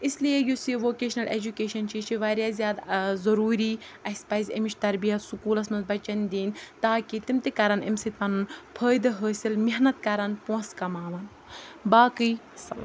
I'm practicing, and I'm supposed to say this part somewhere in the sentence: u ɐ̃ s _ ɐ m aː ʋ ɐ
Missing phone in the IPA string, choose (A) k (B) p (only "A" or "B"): A